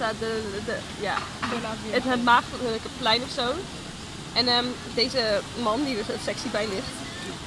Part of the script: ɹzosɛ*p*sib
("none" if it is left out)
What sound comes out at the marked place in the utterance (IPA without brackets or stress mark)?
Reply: k